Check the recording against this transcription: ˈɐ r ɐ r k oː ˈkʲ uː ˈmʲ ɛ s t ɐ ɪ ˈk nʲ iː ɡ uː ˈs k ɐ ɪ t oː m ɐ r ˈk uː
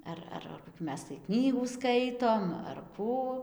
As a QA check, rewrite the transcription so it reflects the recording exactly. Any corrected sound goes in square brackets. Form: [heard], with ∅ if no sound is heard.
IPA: ˈɐ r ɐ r k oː ˈkʲ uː ˈmʲ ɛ s t ɐ ɪ ˈk nʲ iː ɡ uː ˈs k ɐ ɪ t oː m ɐ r ˈk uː